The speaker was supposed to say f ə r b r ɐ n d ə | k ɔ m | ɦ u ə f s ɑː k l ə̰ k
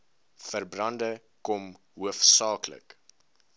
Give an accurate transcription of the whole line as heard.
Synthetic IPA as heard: f ə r b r ɐ n d ə | k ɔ m | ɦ u ə f s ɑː k l ə̰ k